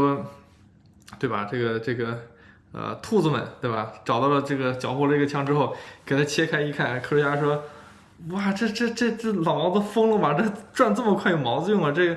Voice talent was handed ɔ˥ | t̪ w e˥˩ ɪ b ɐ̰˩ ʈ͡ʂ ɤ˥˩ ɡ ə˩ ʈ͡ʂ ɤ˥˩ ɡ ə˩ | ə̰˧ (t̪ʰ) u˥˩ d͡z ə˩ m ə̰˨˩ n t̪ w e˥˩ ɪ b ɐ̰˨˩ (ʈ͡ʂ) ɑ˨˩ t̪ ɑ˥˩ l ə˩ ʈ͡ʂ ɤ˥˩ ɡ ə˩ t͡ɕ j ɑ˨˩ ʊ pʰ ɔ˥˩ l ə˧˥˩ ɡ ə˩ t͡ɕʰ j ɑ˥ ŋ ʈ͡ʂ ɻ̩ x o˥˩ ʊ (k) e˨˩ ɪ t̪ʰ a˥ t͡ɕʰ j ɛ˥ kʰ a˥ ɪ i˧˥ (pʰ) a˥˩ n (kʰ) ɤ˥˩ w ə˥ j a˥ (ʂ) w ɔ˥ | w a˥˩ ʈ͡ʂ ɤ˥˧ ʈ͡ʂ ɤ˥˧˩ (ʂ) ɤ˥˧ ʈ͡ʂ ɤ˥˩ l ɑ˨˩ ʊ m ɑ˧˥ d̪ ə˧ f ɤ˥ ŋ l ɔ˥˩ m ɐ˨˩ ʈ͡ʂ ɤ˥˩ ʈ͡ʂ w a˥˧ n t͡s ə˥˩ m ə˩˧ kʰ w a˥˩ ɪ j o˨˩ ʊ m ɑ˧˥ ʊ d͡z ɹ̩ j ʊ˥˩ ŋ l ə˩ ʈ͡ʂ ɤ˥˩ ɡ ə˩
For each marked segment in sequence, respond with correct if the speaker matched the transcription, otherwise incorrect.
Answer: correct, correct, correct, incorrect, correct, correct, incorrect

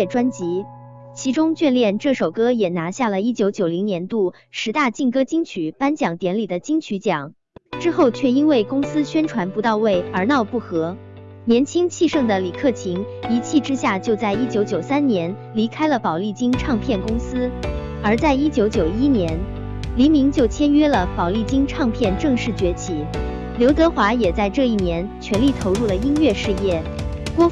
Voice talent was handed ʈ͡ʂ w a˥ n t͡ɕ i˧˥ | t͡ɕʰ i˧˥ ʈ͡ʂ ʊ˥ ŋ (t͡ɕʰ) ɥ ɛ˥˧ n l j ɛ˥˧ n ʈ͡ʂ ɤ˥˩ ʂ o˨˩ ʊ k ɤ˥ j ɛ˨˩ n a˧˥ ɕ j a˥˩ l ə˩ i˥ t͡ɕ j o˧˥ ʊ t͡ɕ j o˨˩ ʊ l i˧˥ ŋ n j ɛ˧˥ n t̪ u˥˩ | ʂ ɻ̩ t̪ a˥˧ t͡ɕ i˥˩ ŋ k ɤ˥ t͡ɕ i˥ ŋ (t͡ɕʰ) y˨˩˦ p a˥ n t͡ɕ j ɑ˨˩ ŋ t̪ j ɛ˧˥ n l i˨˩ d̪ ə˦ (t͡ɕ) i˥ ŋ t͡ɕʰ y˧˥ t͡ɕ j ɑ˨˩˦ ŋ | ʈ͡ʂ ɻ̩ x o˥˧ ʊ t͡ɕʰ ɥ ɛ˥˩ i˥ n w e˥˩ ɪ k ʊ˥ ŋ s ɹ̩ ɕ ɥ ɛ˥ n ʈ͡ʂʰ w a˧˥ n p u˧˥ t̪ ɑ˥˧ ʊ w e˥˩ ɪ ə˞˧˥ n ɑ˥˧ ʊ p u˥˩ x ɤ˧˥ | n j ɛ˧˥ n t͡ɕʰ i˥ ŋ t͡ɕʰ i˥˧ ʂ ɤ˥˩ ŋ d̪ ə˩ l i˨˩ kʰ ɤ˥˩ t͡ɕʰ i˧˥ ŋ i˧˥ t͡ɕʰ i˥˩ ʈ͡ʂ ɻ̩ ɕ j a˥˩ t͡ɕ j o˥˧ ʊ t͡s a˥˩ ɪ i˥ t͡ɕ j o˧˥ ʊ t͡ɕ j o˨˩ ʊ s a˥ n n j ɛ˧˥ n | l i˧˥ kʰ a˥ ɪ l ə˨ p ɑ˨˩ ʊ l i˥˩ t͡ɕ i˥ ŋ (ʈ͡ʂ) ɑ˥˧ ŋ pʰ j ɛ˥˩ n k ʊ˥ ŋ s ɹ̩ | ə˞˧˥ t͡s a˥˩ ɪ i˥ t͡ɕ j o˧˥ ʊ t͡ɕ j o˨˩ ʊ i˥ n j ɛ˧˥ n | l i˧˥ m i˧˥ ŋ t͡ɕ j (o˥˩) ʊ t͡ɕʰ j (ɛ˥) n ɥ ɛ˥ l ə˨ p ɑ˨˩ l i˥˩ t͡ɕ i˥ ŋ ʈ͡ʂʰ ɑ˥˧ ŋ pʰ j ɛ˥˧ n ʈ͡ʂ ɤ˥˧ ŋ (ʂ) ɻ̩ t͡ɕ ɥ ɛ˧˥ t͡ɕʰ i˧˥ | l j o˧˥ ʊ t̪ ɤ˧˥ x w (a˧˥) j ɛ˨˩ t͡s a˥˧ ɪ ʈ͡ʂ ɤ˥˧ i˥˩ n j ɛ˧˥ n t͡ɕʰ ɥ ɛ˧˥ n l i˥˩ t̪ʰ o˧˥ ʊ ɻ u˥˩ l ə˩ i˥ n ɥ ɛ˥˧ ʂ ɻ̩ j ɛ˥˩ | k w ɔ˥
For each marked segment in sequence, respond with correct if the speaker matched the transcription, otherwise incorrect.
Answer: incorrect, correct, correct, incorrect, correct, correct, correct, correct

